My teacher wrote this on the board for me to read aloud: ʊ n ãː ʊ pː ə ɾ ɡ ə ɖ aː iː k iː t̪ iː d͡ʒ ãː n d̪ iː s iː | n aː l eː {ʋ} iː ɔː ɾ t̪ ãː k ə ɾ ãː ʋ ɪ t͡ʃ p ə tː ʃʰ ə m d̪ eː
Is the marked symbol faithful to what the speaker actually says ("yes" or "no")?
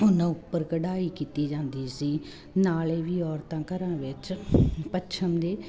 yes